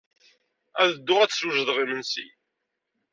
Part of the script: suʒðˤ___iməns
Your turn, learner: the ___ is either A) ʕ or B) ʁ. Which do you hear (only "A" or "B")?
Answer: B